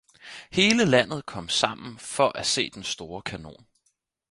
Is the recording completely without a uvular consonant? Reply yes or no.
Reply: yes